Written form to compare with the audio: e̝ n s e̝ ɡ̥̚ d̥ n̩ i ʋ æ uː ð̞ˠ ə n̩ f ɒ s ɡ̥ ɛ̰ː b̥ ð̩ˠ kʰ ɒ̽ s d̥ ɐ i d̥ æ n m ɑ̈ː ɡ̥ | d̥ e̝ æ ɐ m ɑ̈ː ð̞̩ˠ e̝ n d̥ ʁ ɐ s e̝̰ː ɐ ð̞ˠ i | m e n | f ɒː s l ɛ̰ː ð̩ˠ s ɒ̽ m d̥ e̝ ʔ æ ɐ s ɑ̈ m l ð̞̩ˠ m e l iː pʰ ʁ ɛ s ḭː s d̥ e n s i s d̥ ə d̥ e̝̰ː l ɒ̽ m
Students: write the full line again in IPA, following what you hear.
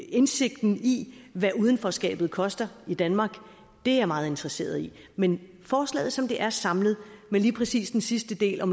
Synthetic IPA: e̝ n s e̝ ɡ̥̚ d̥ n̩ i ʋ æ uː ð̞ˠ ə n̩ f ɒ s ɡ̥ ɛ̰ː b̥ ð̩ˠ kʰ ɒ̽ s d̥ ɐ i d̥ æ n m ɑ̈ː ɡ̥ | d̥ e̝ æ ɐ m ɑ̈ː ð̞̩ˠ e̝ n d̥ ʁ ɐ s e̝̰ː ɐ ð̞ˠ i | m e n | f ɒː s l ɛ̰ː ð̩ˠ s ɒ̽ m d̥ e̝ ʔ æ ɐ s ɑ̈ m l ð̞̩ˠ m e l iː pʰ ʁ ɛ s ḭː s d̥ e n s i s d̥ ə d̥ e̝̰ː l ɒ̽ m